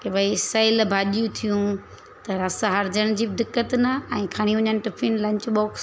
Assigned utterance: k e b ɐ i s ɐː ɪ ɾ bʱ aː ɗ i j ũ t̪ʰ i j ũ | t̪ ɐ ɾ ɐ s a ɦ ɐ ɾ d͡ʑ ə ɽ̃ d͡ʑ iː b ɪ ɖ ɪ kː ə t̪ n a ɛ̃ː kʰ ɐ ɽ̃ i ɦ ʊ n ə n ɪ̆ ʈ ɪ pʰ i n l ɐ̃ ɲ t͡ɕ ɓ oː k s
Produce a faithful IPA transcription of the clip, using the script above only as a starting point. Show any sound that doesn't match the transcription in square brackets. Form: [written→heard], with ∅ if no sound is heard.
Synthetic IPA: k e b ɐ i s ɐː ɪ [ɾ→l] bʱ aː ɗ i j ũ t̪ʰ i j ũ | t̪ ɐ ɾ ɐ s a ɦ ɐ ɾ d͡ʑ ə ɽ̃ d͡ʑ iː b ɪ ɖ ɪ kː ə t̪ n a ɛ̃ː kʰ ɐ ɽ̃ i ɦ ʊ [n→ɲ] ə n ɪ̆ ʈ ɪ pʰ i n l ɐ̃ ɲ t͡ɕ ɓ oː k s